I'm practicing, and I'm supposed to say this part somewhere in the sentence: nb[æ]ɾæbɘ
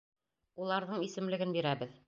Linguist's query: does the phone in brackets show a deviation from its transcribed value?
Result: yes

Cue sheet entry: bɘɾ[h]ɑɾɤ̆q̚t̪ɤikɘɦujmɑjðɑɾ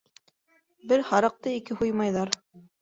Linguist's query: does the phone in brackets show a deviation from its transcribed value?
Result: no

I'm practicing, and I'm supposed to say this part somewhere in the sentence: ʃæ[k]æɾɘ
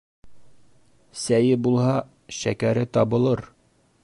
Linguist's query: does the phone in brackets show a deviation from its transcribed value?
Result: no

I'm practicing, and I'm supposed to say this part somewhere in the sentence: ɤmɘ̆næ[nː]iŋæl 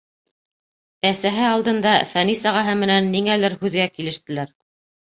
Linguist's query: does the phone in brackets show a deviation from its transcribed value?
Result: no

